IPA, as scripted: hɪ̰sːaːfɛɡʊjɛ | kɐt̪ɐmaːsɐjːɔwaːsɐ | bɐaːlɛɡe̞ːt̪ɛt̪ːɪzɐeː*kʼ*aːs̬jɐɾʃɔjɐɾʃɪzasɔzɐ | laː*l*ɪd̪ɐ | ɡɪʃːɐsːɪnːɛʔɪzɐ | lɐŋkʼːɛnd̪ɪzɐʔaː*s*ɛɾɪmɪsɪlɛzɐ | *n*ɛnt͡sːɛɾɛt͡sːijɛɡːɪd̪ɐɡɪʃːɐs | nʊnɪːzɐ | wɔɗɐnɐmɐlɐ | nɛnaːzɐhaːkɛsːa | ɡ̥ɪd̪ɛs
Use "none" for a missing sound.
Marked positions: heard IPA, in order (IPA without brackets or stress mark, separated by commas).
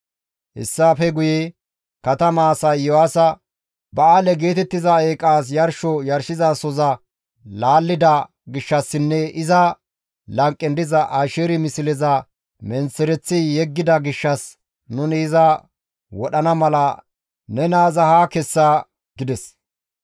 kʼ, lː, ʃ, m